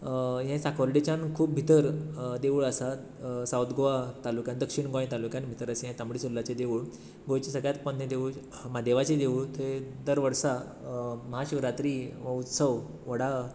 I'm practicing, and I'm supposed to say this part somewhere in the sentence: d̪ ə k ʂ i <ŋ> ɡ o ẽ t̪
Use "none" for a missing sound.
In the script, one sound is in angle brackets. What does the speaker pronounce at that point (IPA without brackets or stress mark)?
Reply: ɳ